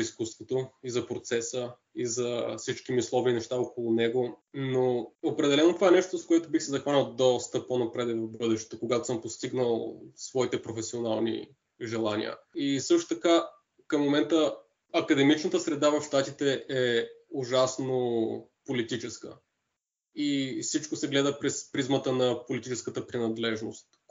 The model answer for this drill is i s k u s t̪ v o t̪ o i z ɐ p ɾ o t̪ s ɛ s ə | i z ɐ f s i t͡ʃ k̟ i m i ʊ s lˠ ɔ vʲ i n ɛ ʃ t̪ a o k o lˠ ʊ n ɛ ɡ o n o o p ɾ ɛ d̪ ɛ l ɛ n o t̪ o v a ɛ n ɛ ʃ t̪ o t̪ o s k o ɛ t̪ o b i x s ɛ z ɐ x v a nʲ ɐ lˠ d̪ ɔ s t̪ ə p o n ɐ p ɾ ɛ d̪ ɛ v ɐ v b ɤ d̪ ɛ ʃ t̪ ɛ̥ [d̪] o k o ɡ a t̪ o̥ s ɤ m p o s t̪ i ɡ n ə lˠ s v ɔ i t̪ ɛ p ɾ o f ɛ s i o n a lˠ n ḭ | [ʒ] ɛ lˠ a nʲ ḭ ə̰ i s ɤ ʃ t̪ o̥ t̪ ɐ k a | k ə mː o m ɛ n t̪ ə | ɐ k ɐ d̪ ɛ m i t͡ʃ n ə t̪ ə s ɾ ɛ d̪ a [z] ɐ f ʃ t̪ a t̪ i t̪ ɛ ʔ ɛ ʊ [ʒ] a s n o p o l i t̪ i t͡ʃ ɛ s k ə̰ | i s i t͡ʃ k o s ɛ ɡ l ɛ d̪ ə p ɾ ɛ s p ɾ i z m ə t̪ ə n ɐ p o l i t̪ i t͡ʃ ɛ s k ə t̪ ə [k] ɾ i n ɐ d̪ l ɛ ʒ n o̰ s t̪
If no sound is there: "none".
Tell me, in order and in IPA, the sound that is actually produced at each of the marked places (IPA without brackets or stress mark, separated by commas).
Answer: t̪, ʒ, v, ʒ, p